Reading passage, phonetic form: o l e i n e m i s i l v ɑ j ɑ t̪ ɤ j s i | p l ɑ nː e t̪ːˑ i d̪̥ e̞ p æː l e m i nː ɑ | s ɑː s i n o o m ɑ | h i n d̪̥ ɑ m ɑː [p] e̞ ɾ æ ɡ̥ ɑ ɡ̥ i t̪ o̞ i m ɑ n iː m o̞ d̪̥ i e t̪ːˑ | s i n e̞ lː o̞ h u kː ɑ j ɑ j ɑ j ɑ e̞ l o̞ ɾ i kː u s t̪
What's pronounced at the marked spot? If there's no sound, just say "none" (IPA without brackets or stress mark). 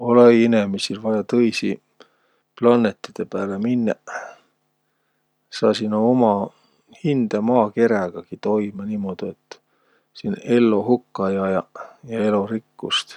k